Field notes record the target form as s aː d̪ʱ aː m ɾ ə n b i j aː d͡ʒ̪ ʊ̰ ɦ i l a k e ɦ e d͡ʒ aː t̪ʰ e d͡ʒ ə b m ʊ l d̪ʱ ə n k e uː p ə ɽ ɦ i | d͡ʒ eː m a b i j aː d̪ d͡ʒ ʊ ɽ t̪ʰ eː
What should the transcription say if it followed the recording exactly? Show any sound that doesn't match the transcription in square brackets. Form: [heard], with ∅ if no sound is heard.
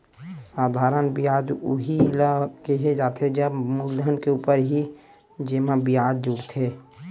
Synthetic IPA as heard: s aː d̪ʱ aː [∅] ɾ ə n b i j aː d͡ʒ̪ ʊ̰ ɦ i l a k e ɦ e d͡ʒ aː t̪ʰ e d͡ʒ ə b m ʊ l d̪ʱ ə n k e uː p ə [ɾ] ɦ i | d͡ʒ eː m a b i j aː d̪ d͡ʒ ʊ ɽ t̪ʰ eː